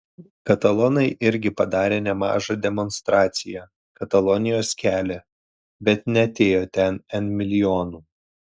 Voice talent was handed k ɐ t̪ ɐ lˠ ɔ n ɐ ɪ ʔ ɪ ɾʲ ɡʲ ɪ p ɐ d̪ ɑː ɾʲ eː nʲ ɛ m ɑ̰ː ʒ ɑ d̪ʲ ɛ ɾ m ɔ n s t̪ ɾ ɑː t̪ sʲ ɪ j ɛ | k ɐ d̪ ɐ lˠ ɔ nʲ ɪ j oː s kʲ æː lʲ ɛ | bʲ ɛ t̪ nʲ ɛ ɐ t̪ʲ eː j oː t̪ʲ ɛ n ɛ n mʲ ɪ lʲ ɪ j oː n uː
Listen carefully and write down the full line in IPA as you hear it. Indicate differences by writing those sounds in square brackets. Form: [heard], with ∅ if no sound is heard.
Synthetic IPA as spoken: k ɐ t̪ ɐ lˠ ɔ n ɐ ɪ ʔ ɪ ɾʲ ɡʲ ɪ p ɐ d̪ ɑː ɾʲ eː nʲ ɛ m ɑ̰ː ʒ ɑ d̪ʲ ɛ [∅] m ɔ n s t̪ ɾ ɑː t̪ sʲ ɪ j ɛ | k ɐ [t̪] ɐ lˠ ɔ nʲ ɪ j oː s kʲ æː lʲ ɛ | bʲ ɛ t̪ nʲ ɛ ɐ t̪ʲ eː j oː t̪ʲ ɛ n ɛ n mʲ ɪ lʲ ɪ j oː n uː

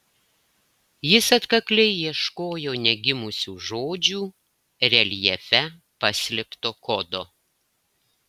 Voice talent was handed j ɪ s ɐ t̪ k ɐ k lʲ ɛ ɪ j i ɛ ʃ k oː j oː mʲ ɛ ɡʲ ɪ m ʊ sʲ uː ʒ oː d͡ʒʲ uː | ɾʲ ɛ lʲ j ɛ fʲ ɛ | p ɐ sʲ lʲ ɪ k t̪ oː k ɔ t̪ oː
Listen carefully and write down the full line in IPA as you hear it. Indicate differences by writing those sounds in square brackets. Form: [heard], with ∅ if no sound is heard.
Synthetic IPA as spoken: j ɪ s ɐ t̪ k ɐ k lʲ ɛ ɪ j i ɛ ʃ k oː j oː [nʲ] ɛ ɡʲ ɪ m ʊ sʲ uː ʒ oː d͡ʒʲ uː | ɾʲ ɛ lʲ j ɛ fʲ ɛ | p ɐ sʲ lʲ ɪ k t̪ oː k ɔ [d̪] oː

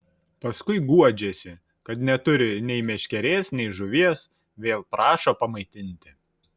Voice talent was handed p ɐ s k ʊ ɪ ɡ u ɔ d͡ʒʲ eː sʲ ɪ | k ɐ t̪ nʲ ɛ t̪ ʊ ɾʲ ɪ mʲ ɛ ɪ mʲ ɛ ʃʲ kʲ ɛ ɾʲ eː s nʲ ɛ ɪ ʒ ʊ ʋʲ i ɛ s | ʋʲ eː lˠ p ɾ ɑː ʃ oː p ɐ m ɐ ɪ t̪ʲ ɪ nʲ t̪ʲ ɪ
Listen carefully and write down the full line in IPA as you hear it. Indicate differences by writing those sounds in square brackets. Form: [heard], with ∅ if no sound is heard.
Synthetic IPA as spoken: p ɐ s k ʊ ɪ ɡ u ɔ d͡ʒʲ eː sʲ ɪ | k ɐ t̪ nʲ ɛ t̪ ʊ ɾʲ ɪ [nʲ] ɛ ɪ mʲ ɛ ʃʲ kʲ ɛ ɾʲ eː s nʲ ɛ ɪ ʒ ʊ ʋʲ i ɛ s | ʋʲ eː lˠ p ɾ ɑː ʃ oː p ɐ m ɐ ɪ t̪ʲ ɪ nʲ t̪ʲ ɪ

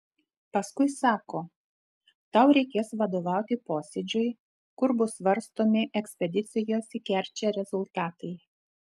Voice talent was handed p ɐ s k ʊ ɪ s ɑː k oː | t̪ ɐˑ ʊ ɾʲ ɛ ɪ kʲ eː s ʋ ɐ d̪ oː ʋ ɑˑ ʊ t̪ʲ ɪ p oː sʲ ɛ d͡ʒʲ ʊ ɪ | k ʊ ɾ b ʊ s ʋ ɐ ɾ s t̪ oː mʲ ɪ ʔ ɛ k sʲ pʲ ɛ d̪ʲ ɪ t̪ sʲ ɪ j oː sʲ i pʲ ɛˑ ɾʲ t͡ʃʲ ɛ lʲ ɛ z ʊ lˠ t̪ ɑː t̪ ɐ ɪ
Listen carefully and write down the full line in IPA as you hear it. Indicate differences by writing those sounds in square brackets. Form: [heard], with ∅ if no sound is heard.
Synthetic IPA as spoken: p ɐ s k ʊ ɪ s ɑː k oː | t̪ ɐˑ ʊ ɾʲ ɛ ɪ kʲ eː s ʋ ɐ d̪ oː ʋ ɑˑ ʊ t̪ʲ ɪ p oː sʲ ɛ d͡ʒʲ ʊ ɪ | k ʊ ɾ b ʊ s ʋ ɐ ɾ s t̪ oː mʲ ɪ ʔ ɛ k sʲ pʲ ɛ d̪ʲ ɪ t̪ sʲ ɪ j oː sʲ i [kʲ] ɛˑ ɾʲ t͡ʃʲ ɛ [ɾʲ] ɛ z ʊ lˠ t̪ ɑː t̪ ɐ ɪ

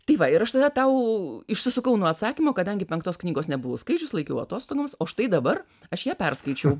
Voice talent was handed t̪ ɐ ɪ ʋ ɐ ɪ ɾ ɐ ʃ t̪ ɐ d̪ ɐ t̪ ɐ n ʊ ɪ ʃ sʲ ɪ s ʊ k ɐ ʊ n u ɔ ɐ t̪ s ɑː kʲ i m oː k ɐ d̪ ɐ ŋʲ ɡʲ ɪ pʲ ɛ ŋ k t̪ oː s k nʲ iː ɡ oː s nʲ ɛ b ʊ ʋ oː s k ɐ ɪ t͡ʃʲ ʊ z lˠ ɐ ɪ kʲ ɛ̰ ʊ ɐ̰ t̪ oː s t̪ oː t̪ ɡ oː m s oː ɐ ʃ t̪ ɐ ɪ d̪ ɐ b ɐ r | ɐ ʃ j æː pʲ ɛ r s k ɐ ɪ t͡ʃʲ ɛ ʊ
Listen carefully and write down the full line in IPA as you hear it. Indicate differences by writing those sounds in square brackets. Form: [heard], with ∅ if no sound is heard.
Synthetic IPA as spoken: t̪ ɐ ɪ ʋ ɐ ɪ ɾ ɐ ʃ t̪ ɐ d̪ ɐ t̪ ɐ [∅] ʊ ɪ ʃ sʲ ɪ s ʊ k ɐ ʊ n u ɔ ɐ t̪ s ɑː kʲ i m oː k ɐ d̪ ɐ ŋʲ ɡʲ ɪ pʲ ɛ ŋ k t̪ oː s k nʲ iː ɡ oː s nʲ ɛ b ʊ ʋ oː s k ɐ ɪ t͡ʃʲ ʊ [s] lˠ ɐ ɪ kʲ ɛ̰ ʊ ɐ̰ t̪ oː s t̪ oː [∅] ɡ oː m s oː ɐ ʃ t̪ ɐ ɪ d̪ ɐ b ɐ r | ɐ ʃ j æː pʲ ɛ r s k ɐ ɪ t͡ʃʲ ɛ ʊ

